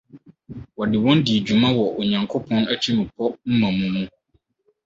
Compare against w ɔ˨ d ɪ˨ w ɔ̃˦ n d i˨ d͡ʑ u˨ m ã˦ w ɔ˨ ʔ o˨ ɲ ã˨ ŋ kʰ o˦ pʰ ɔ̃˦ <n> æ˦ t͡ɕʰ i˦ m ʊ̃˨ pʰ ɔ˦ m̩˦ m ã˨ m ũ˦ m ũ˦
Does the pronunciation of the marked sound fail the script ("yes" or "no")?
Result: no